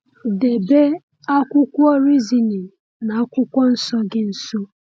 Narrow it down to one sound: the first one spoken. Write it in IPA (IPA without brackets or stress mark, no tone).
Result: d